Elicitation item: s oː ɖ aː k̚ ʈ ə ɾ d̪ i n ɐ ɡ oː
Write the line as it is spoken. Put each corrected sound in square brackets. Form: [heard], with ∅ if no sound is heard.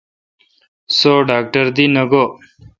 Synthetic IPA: s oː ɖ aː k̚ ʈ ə ɾ d̪ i n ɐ ɡ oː